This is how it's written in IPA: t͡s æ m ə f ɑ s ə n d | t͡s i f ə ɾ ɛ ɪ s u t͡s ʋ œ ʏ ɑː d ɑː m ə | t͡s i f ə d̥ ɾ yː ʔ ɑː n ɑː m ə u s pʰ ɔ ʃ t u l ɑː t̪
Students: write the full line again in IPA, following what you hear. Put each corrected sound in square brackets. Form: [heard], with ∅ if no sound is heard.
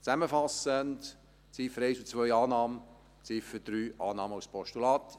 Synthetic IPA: t͡s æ m ə f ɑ s ə n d | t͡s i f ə ɾ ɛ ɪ s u t͡s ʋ œ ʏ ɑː [n] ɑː m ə | t͡s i f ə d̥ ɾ yː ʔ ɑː n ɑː m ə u s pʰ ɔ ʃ t u l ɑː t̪